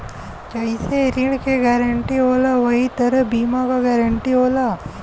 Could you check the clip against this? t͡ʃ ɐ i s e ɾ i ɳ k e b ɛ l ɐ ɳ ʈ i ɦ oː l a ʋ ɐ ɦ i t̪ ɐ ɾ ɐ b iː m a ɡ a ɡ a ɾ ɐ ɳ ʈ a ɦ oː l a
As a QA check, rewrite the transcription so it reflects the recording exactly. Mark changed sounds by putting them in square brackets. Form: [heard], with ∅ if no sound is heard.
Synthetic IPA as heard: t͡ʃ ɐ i s e ɾ i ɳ k e [ɡ] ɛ [ɾ] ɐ ɳ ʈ i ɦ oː l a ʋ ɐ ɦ i t̪ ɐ ɾ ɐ b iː m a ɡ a ɡ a ɾ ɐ ɳ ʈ [i] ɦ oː l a